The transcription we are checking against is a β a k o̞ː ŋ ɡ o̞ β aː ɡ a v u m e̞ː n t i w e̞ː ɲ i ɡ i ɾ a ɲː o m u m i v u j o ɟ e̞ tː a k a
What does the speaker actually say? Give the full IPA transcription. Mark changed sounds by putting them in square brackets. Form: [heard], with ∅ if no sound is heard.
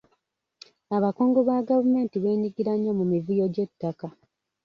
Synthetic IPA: a β a k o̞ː ŋ ɡ o̞ β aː ɡ a v u m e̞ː n t i [β] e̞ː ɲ i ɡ i ɾ a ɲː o m u m i v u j o ɟ e̞ tː a k a